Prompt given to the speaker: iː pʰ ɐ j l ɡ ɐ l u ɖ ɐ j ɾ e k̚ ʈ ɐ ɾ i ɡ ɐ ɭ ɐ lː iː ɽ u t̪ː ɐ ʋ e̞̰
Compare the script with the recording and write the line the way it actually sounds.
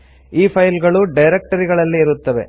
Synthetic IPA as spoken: iː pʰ ɐ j l ɡ ɐ ɭ u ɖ ɐ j ɾ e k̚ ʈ ɐ ɾ i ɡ ɐ ɭ ɐ lː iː ɾ u t̪ː ɐ ʋ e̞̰